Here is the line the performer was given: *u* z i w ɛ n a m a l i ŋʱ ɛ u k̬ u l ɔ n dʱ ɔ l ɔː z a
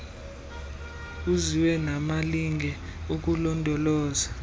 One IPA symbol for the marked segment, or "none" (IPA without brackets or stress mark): u